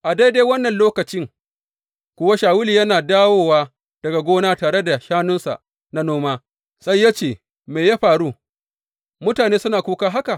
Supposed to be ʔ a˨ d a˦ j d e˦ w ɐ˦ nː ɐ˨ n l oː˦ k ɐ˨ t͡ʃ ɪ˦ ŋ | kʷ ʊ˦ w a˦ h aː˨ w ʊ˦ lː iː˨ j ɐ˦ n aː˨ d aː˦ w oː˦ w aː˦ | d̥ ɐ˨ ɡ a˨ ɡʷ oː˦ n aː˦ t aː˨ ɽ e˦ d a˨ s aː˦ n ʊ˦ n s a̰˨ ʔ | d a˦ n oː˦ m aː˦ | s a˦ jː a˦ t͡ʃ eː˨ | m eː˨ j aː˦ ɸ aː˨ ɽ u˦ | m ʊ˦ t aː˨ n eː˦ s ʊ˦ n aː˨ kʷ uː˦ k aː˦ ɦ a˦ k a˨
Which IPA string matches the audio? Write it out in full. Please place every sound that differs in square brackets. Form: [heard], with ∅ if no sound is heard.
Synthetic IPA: ʔ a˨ d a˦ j d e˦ w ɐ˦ nː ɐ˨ n l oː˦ k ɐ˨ t͡ʃ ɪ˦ ŋ | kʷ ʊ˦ w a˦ [ʃ] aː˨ w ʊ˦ [l] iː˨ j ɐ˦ n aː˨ d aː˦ w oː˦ w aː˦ | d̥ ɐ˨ ɡ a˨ ɡʷ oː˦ n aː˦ t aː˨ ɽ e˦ d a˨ [ʃ] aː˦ n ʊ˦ n s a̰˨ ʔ | [n] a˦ n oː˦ m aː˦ | s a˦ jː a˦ t͡ʃ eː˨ | m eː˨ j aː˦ ɸ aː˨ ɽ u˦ | m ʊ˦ t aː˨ n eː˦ s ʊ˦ n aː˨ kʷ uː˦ k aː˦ ɦ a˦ k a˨